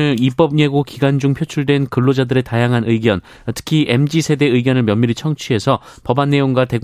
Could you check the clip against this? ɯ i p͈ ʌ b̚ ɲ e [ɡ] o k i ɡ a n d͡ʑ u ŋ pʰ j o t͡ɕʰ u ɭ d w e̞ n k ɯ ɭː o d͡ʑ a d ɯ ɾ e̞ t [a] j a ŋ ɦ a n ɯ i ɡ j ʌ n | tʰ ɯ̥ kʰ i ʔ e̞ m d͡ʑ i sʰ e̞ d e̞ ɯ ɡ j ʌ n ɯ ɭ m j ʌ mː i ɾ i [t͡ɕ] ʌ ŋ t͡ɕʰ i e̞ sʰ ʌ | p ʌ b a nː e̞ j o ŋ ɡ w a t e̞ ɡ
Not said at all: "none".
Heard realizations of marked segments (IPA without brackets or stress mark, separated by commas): ɡ, a, t͡ɕʰ